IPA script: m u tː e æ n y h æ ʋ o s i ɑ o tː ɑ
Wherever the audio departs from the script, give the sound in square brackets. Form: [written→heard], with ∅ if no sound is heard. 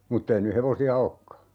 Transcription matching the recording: m u tː e [æ→i] n y h [æ→e] ʋ o s i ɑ o [tː→kː] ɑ

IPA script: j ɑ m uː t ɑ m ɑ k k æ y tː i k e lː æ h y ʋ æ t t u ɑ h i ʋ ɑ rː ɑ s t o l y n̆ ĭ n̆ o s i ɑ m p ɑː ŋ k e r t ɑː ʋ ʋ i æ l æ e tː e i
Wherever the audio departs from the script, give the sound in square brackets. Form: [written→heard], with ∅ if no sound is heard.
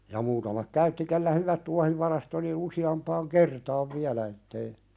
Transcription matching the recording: j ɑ m uː t ɑ m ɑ k k æ y tː i k e lː æ h y ʋ æ t t u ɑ h i ʋ ɑ [rː→r] ɑ s t o l [y→i] n̆ ĭ n̆ [o→u] s i ɑ m p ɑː ŋ k e r t ɑː ʋ ʋ i æ l æ e tː e i

